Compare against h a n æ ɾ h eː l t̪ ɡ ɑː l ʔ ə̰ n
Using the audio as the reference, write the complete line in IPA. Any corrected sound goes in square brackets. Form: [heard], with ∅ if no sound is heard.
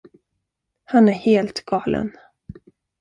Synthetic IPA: h a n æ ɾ h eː l t̪ ɡ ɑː l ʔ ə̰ n